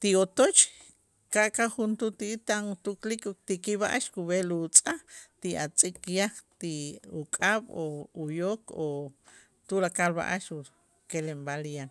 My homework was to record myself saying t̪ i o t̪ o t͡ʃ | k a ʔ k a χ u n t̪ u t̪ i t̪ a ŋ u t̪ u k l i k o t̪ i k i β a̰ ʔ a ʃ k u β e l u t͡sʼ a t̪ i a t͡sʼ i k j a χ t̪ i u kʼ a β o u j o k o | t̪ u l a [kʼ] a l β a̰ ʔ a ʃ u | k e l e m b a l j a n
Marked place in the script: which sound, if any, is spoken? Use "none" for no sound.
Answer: k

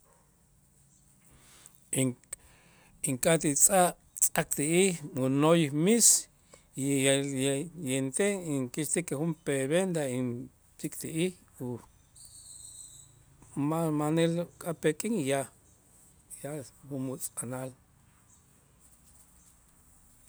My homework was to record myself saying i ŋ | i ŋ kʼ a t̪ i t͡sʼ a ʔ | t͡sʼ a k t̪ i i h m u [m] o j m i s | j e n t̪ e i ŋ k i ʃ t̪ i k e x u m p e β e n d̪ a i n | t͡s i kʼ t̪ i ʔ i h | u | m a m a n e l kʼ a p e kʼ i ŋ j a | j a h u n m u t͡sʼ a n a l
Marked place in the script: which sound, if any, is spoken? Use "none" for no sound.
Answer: n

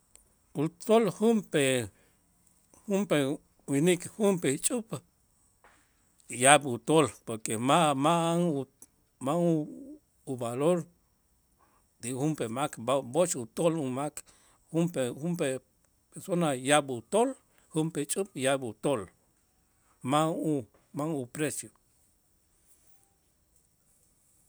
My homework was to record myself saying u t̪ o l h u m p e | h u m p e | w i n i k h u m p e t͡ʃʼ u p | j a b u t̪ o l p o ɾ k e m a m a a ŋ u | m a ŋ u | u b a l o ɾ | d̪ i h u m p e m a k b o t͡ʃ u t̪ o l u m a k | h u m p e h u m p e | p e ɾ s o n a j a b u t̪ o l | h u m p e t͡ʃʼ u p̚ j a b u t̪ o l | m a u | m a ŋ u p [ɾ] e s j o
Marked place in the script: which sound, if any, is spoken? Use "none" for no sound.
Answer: ɾ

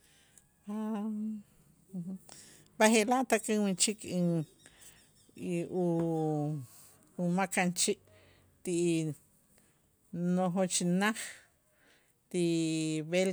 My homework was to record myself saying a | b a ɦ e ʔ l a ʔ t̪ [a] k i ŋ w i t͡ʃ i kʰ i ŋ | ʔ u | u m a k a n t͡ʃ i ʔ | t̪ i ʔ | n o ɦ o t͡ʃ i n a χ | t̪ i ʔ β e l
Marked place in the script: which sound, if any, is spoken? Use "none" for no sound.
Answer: a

